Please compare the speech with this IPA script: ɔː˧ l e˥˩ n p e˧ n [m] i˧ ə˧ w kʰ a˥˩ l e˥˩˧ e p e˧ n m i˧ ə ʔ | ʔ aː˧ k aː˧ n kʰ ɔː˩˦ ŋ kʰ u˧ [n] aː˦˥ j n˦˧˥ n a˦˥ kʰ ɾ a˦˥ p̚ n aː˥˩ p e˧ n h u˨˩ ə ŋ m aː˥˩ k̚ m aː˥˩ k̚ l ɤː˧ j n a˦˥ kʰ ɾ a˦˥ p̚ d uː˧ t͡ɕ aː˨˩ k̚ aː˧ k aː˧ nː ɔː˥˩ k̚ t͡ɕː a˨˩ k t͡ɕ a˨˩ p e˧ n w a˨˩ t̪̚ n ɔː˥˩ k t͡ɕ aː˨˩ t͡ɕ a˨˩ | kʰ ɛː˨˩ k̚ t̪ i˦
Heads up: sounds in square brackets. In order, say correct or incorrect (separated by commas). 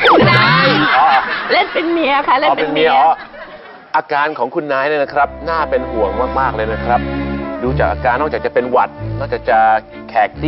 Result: correct, incorrect